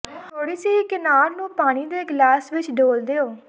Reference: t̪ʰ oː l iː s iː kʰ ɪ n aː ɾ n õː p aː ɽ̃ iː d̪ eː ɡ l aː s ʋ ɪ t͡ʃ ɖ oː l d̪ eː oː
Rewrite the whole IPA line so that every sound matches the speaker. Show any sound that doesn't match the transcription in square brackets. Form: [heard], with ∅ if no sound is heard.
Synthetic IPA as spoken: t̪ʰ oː [ɽ] iː s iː [k] ɪ n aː ɾ n [ũː] p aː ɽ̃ iː d̪ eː ɡ l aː s ʋ ɪ t͡ʃ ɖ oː l d̪ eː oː